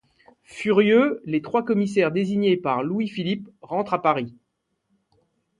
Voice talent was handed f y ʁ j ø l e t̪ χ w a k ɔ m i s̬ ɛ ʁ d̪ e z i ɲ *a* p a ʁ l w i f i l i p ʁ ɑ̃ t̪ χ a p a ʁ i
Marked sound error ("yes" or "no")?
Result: yes